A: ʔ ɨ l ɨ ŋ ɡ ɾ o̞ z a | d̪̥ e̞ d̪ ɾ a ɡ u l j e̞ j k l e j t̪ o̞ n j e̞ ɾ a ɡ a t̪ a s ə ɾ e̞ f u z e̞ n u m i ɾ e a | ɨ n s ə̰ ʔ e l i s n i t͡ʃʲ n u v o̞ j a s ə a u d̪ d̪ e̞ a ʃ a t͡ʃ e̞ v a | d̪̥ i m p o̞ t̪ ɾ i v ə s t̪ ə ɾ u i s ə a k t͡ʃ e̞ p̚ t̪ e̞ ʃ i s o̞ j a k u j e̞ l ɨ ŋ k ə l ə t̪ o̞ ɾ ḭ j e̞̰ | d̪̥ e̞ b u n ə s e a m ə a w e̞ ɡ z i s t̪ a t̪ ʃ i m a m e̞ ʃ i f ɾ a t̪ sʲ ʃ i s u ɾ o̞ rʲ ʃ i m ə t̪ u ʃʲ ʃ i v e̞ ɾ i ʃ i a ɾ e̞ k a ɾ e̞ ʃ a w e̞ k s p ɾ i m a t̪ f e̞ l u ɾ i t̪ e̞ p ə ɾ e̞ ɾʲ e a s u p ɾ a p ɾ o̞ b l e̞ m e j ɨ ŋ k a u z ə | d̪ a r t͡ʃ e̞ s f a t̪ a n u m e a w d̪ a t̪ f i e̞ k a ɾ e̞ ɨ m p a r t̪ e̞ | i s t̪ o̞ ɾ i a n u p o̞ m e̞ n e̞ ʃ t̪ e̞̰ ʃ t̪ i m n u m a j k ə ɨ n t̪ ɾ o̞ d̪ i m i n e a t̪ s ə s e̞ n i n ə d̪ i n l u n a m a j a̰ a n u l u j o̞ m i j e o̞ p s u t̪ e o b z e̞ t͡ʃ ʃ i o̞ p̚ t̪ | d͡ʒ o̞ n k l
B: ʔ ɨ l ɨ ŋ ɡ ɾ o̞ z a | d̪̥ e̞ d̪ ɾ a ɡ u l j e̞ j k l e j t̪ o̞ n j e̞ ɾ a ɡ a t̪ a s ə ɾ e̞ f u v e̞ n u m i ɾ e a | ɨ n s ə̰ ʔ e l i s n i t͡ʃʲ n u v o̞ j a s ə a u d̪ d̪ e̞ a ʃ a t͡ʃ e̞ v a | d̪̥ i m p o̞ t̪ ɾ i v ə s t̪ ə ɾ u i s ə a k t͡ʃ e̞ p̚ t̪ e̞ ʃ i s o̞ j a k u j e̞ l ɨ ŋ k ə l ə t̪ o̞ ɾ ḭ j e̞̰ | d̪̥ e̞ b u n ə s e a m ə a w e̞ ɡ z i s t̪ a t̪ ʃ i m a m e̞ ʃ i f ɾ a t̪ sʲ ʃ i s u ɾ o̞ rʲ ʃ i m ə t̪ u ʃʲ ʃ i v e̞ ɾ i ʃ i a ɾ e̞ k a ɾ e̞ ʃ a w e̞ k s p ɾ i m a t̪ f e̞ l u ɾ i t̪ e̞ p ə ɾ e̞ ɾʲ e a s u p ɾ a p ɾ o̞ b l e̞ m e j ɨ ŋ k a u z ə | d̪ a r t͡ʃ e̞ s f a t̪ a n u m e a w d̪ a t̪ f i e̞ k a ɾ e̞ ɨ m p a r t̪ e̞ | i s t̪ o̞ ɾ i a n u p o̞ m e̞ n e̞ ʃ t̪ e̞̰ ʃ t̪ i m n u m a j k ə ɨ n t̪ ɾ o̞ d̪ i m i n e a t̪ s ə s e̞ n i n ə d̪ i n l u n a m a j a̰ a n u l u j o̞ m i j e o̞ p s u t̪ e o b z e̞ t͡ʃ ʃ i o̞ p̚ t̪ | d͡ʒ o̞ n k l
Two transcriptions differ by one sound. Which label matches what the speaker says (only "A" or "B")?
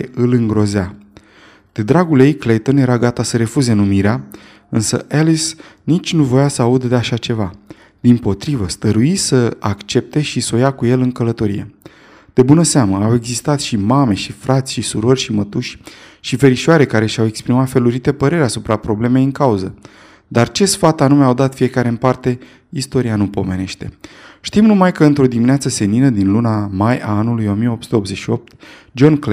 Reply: A